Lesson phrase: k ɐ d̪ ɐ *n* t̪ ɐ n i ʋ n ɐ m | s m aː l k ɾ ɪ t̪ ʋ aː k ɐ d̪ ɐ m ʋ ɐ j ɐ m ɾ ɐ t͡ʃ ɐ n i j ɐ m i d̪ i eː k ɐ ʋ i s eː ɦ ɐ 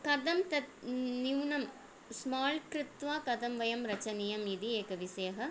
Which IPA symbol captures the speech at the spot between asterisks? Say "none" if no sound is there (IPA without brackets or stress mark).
m